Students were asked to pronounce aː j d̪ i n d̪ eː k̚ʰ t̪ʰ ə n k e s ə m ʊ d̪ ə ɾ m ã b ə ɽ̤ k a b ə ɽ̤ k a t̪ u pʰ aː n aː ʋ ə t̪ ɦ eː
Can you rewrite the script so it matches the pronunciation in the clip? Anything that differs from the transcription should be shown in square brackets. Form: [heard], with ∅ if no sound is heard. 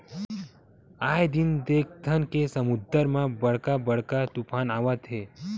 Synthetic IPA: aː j d̪ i n d̪ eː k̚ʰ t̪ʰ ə n k e s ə m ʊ d̪ ə ɾ m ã b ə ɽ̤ k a b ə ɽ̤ k a t̪ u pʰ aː n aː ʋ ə t̪ ɦ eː